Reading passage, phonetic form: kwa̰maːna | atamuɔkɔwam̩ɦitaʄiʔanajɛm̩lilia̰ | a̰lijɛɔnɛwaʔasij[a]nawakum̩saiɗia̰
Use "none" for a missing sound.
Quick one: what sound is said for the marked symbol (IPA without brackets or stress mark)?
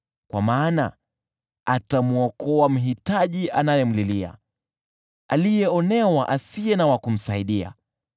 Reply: ɛ